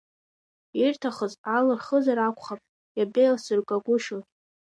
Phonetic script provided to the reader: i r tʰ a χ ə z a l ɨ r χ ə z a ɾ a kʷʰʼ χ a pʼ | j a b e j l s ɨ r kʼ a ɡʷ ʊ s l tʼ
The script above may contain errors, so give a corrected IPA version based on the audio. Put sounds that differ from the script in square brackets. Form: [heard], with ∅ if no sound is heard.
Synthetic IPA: i r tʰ a χ ə z a l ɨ r χ ə z a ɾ a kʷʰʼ χ a pʼ | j a b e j l s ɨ r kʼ a ɡʷ ʊ [ʃ] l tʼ